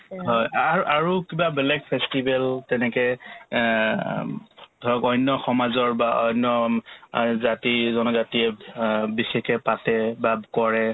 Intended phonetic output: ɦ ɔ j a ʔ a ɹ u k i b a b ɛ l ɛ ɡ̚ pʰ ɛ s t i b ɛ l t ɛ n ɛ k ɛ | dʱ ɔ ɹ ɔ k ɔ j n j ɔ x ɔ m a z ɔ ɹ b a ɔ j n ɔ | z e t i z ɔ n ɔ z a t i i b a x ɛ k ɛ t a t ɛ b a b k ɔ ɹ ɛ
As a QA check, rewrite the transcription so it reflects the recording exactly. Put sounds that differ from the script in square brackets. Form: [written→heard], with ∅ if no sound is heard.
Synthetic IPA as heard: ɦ ɔ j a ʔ a ɹ u k i b a b ɛ l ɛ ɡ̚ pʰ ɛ s t i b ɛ l t ɛ n ɛ k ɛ | dʱ ɔ ɹ ɔ k ɔ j n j ɔ x ɔ m a z ɔ ɹ b a ɔ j n ɔ | z [e→a] t i z ɔ n ɔ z a t i [i→ɛ] b [a→i] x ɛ k ɛ [t→p] a t ɛ b a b k ɔ ɹ ɛ

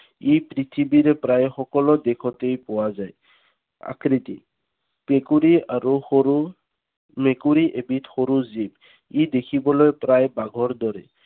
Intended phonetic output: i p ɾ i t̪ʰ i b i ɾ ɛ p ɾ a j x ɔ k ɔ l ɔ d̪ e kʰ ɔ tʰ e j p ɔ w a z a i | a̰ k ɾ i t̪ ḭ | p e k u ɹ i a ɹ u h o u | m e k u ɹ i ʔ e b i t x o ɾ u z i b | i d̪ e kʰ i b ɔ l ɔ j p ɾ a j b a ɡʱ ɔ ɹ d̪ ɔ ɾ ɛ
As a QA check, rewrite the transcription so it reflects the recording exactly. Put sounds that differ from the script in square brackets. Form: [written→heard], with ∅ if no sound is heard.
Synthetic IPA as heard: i p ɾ i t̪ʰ i b i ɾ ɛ p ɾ a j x ɔ k ɔ l ɔ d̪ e kʰ ɔ [tʰ→t] e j p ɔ w a z a [i→j] | a̰ k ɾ i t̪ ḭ | p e k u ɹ i a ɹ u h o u | m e k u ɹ i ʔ e b i t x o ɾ u z i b | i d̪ e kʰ i b ɔ l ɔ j p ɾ a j b a ɡʱ ɔ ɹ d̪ ɔ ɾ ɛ

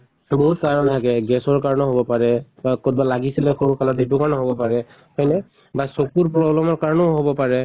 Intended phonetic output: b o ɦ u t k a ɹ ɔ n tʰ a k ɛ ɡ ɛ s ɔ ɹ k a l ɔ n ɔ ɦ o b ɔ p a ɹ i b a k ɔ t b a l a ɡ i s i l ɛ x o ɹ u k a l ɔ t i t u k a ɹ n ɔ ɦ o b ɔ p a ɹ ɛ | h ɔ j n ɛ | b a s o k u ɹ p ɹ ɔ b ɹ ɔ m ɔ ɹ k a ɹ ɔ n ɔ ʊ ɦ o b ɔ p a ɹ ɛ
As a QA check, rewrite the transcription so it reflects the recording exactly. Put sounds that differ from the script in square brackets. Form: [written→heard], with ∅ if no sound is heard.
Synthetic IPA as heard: b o ɦ u t k a ɹ ɔ n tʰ a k ɛ ɡ ɛ s ɔ ɹ k a [l→ɹ] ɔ n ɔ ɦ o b ɔ p a ɹ [i→ɛ] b a k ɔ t b a l a ɡ i s i l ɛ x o ɹ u k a l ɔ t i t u k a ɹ n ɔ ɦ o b ɔ p a ɹ ɛ | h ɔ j n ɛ | b a s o k u ɹ p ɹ ɔ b [ɹ→l] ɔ m ɔ ɹ k a ɹ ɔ n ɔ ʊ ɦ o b ɔ p a ɹ ɛ

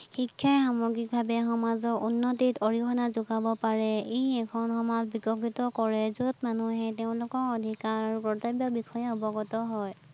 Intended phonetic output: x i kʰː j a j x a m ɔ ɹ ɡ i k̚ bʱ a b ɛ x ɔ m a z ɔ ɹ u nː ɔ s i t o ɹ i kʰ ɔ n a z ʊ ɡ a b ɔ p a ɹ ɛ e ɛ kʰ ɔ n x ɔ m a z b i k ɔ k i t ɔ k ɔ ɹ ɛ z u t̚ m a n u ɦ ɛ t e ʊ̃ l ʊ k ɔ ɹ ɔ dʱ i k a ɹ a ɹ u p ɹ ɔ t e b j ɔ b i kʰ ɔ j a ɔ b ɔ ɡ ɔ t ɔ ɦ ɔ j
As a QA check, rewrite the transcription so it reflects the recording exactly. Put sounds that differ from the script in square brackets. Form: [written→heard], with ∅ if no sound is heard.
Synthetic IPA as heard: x i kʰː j a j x a m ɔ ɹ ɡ i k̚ bʱ a b ɛ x ɔ m a z ɔ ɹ u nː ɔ [s→t] i t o ɹ i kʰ ɔ n a z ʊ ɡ a b ɔ p a ɹ ɛ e ɛ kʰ ɔ n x ɔ m a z b i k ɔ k i t ɔ k ɔ ɹ ɛ z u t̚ m a n u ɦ ɛ t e ʊ̃ l ʊ k ɔ ɹ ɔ dʱ i k a ɹ a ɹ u p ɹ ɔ t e b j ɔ b i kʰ ɔ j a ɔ b ɔ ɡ ɔ t ɔ ɦ ɔ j

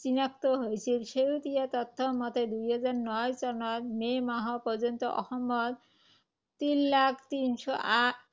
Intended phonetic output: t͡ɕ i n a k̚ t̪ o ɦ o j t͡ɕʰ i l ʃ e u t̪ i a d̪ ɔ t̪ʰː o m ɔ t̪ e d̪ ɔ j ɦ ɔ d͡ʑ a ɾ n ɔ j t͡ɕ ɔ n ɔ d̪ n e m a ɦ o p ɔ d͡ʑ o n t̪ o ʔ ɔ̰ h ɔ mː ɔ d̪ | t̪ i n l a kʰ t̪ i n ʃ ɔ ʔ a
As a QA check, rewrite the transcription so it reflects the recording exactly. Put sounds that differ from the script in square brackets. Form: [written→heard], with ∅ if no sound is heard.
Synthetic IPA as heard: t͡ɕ i n a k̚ t̪ o ɦ o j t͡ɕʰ i l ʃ e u t̪ i a [d̪→t̪] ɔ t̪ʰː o m ɔ t̪ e d̪ [ɔ→u] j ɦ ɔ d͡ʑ a ɾ n ɔ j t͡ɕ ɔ n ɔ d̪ [n→m] e m a ɦ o p ɔ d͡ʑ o n t̪ o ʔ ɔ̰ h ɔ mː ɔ d̪ | t̪ i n l a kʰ t̪ i n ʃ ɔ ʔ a

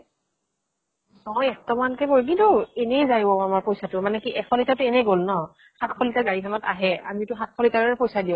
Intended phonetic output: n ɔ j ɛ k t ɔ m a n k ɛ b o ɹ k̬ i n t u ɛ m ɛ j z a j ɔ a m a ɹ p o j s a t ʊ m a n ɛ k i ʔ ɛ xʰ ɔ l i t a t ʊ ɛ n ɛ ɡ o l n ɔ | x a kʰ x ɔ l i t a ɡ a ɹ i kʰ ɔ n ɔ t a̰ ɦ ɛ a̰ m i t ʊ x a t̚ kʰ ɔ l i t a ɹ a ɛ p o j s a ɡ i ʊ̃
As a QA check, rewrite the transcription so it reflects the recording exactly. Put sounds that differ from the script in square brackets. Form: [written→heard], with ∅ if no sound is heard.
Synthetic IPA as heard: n ɔ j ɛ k t ɔ m a n k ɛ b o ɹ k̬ i n t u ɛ [m→n] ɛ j z a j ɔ a m a ɹ p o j s a t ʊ m a n ɛ k i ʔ ɛ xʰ ɔ l i t a t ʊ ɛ n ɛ ɡ o l n ɔ | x a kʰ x ɔ l i t a ɡ a ɹ i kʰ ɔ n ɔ t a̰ ɦ ɛ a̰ m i t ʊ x a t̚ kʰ ɔ l i t a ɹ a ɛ p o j s a [ɡ→d] i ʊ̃

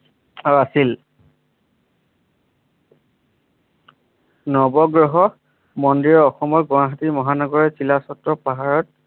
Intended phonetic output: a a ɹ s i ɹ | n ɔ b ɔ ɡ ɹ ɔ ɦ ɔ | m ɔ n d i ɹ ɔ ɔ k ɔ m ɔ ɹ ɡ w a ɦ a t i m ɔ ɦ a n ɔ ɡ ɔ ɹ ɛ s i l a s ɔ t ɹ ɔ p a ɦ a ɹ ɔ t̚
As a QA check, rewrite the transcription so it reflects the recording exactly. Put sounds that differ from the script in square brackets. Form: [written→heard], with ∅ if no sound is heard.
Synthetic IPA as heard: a a [ɹ→∅] s i [ɹ→l] | n ɔ b ɔ ɡ ɹ ɔ ɦ ɔ | m ɔ n d i ɹ ɔ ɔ [k→x] ɔ m ɔ ɹ ɡ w a ɦ a t i m ɔ ɦ a n ɔ ɡ ɔ ɹ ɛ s i l a s ɔ t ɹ ɔ p a ɦ a ɹ ɔ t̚

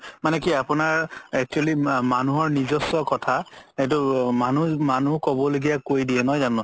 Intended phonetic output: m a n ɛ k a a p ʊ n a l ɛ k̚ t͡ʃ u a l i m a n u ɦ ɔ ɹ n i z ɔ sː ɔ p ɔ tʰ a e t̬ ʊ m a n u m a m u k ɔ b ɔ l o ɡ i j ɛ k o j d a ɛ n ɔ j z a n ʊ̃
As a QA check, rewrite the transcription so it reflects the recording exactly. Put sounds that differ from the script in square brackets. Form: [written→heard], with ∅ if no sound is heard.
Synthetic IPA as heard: m a n ɛ k [a→i] a p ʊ n a [l→ɹ] ɛ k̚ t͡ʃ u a l i m a n u ɦ ɔ ɹ n i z ɔ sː ɔ [p→k] ɔ tʰ a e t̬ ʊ m a n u m a [m→n] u k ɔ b ɔ l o ɡ i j [ɛ→a] k o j d [a→i] ɛ n ɔ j z a n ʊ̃

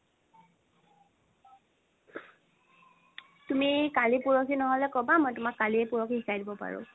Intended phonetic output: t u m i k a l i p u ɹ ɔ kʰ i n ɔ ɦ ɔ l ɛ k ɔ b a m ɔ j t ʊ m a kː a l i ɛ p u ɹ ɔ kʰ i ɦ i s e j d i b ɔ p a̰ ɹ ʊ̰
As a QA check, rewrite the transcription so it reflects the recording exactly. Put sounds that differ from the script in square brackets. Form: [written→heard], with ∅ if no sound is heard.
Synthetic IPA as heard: t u m i k a l i p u ɹ ɔ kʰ i n ɔ ɦ ɔ l ɛ k ɔ b a m ɔ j t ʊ m a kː a l i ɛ p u ɹ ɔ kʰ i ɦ i s [e→a] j d i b ɔ p a̰ ɹ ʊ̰

